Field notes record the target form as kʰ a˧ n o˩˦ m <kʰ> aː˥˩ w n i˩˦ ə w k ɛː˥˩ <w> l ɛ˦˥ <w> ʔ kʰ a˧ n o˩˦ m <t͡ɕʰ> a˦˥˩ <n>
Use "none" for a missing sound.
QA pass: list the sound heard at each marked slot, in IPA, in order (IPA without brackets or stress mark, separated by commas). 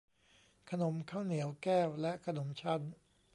kʰ, w, none, t͡ɕʰ, n